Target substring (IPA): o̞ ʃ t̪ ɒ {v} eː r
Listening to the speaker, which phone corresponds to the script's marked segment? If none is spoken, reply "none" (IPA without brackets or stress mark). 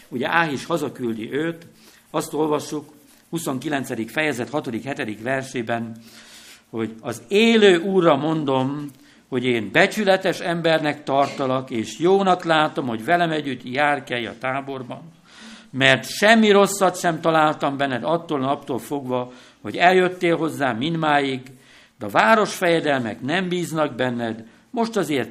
z